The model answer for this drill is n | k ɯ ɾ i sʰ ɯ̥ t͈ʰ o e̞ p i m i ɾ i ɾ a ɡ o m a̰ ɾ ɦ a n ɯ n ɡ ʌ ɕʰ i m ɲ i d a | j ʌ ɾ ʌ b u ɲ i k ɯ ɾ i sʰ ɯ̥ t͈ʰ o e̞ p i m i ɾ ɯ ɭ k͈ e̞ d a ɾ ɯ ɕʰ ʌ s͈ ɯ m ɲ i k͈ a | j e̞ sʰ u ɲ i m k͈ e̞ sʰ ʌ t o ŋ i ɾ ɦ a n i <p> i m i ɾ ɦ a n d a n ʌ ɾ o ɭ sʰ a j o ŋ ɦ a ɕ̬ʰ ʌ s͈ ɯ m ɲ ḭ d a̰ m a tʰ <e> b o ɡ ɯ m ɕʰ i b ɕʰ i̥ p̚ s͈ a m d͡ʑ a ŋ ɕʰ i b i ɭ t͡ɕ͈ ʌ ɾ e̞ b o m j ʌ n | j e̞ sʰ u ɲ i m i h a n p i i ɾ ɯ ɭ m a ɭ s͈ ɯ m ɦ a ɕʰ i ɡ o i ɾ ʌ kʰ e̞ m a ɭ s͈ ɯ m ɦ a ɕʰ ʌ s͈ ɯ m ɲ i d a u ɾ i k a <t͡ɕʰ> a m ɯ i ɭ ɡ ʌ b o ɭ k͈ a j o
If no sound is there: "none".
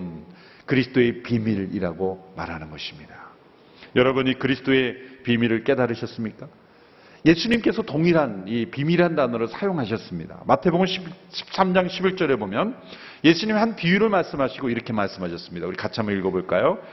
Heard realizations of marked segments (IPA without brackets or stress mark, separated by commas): p, e, t͡ɕʰ